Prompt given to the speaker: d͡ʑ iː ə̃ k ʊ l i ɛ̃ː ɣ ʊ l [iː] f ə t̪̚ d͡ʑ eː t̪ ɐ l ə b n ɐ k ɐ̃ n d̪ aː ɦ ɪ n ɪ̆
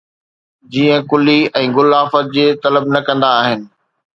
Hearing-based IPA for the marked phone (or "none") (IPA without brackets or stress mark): aː